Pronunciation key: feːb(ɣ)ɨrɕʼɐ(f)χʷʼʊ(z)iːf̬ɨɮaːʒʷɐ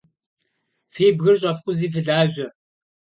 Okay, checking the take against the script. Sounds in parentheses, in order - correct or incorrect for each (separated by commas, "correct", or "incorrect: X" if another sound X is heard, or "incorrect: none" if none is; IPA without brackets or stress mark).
correct, correct, correct